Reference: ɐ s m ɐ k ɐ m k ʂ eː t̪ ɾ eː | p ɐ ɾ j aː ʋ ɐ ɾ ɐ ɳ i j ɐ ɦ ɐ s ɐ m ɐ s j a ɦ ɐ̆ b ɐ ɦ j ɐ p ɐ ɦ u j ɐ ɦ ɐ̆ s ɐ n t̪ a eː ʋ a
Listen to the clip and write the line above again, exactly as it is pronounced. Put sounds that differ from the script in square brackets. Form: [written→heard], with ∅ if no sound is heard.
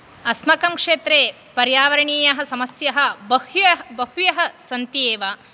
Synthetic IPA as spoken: ɐ s m ɐ k ɐ m k ʂ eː t̪ ɾ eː | p ɐ ɾ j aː ʋ ɐ ɾ ɐ ɳ [i→iː] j ɐ ɦ ɐ s ɐ m ɐ s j [a→ɐ] ɦ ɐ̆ b ɐ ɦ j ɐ [p→b] ɐ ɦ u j ɐ ɦ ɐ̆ s ɐ n t̪ [a→i] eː ʋ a